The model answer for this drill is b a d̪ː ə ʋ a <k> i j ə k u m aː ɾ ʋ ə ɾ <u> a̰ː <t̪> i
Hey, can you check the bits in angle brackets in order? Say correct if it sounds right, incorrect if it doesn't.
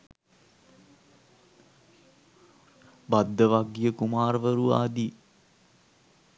incorrect, correct, incorrect

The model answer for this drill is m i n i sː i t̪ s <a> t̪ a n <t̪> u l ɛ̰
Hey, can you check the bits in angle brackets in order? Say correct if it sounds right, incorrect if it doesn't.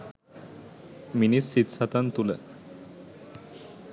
correct, correct

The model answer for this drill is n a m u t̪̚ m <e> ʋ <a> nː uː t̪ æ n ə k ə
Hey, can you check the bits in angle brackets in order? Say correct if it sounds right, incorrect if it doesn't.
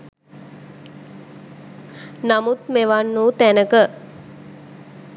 correct, correct

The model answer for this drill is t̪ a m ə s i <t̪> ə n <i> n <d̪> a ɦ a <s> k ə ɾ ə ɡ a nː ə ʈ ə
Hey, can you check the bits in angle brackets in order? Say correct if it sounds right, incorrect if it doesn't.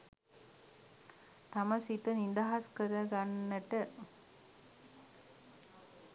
correct, correct, correct, correct

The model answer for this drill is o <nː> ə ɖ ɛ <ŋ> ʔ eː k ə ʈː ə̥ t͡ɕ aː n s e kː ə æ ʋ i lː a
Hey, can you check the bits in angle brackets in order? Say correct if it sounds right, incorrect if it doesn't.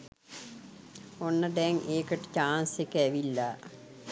correct, correct

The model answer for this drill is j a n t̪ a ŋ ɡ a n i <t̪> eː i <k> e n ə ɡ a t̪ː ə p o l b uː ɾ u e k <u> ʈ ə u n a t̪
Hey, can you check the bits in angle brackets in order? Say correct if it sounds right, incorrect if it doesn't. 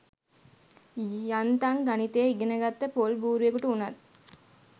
correct, incorrect, correct

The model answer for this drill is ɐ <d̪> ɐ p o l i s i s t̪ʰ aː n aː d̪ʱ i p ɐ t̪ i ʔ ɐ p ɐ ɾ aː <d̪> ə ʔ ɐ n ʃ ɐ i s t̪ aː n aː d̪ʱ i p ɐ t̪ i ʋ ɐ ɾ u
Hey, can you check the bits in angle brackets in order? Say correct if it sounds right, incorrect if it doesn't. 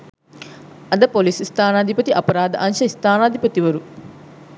correct, correct

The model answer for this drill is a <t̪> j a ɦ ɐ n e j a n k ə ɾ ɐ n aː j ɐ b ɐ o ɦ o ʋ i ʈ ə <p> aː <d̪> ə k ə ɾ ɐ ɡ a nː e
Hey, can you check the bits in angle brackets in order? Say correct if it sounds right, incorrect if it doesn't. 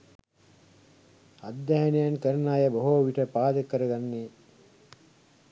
incorrect, correct, correct

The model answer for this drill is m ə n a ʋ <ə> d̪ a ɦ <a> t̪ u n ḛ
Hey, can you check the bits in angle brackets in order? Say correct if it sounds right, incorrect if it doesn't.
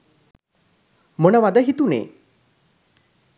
incorrect, incorrect

